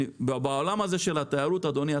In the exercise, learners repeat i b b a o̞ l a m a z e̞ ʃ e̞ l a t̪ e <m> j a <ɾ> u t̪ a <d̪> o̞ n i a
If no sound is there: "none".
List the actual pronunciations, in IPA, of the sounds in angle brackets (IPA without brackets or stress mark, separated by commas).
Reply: none, ɾ, d̪